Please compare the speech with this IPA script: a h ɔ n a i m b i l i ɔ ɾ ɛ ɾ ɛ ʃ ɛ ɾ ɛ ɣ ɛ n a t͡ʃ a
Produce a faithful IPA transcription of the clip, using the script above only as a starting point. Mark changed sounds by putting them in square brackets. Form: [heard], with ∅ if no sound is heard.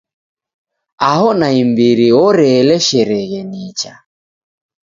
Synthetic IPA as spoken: a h ɔ n a i m b i [ɾ] i ɔ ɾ ɛ [l] ɛ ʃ ɛ ɾ ɛ ɣ ɛ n [i] t͡ʃ a

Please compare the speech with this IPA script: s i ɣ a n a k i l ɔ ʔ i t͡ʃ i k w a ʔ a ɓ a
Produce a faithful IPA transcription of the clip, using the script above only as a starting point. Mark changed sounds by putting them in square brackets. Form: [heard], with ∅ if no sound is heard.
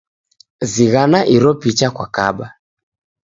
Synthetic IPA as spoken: [z] i ɣ a n a [ʔ] i [ɾ] ɔ [p] i t͡ʃ [a] k w a [k] a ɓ a

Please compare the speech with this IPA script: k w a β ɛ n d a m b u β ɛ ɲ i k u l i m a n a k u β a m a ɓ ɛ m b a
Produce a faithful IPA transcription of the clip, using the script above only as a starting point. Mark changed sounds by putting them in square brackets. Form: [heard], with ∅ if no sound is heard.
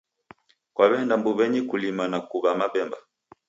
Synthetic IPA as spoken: k w a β ɛ n d a m b u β ɛ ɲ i k u l i m a n a k u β a m a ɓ ɛ m b a

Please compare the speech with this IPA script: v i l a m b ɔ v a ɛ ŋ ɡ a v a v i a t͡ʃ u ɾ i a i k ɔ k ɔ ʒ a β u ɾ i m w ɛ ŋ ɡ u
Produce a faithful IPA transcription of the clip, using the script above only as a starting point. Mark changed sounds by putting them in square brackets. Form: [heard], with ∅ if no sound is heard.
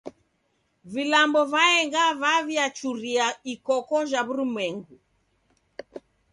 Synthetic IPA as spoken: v i l a m b ɔ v a ɛ ŋ ɡ a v a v i a t͡ʃ u ɾ i a i k ɔ k ɔ ʒ a β u ɾ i m w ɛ ŋ ɡ u

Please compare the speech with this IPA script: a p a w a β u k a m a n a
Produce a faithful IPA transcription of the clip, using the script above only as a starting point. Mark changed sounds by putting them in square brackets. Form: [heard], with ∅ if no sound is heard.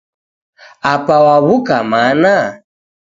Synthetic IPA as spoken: a p a w a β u k a m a n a

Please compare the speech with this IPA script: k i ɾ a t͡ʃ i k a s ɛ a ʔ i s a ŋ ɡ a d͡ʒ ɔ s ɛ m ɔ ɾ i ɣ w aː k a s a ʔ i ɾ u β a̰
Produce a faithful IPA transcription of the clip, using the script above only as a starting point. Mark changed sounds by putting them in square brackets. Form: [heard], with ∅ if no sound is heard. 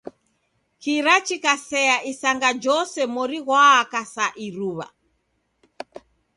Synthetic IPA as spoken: k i ɾ a t͡ʃ i k a s ɛ a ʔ i s a ŋ ɡ a d͡ʒ ɔ s ɛ m ɔ ɾ i ɣ w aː k a s a ʔ i ɾ u β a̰

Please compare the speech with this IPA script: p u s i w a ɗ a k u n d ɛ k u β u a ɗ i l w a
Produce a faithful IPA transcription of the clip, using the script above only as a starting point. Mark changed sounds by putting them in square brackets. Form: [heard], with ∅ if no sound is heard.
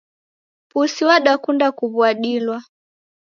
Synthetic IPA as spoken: p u s i w a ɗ a k u n d [a] k u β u a ɗ i l w a

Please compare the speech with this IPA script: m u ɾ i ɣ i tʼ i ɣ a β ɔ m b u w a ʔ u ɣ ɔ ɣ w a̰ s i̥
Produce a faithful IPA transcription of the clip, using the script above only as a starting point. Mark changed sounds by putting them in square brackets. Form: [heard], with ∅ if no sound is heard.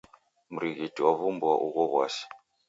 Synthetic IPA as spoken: m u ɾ i ɣ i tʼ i [w] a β [u] m b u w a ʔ u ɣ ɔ ɣ w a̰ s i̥

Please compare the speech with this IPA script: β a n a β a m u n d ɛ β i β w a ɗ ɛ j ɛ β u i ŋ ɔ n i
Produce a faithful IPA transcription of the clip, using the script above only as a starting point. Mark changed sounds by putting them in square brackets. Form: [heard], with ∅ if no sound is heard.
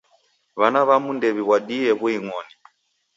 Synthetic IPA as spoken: β a n a β a m u n d ɛ β i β w a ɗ [i] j ɛ β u i ŋ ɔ n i

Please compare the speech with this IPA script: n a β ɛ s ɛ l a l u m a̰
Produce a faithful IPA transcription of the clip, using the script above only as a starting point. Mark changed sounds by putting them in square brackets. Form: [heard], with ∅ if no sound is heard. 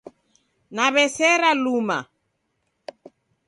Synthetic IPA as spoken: n a β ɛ s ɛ [ɾ] a l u m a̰

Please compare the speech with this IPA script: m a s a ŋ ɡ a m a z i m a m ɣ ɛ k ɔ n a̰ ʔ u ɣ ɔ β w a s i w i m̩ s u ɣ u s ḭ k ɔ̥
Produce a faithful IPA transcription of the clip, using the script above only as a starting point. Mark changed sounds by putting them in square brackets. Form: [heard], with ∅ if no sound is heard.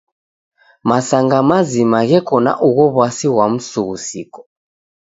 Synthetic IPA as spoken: m a s a ŋ ɡ a m a z i m a [∅] ɣ ɛ k ɔ n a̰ ʔ u ɣ ɔ β w a s i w [a] m̩ s u ɣ u s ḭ k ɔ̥

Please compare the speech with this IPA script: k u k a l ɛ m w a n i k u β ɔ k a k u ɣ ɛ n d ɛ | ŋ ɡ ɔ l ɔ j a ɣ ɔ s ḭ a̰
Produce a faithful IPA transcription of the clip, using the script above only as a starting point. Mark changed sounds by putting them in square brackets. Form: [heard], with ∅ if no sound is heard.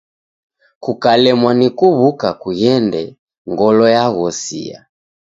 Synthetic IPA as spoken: k u k a l ɛ m w a n i k u β [u] k a k u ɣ ɛ n d ɛ | ŋ ɡ ɔ l ɔ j a ɣ ɔ s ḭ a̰

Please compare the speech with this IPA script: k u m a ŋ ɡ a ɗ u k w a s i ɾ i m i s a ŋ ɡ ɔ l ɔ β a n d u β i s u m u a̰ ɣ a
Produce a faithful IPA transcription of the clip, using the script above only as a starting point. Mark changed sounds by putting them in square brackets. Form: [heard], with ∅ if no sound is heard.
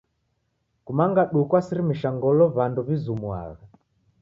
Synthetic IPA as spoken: k u m a ŋ ɡ a ɗ u k w a s i ɾ i m i [ʃ] a ŋ ɡ ɔ l ɔ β a n d u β i [z] u m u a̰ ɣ a

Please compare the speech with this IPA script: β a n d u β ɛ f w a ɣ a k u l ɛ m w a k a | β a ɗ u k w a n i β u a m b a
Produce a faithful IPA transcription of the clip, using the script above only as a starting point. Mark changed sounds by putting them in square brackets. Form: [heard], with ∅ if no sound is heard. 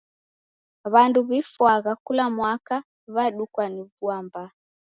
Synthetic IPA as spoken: β a n d u β [i] f w a ɣ a k u l [a] m w a k a | β a ɗ u k w a n i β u a m b a

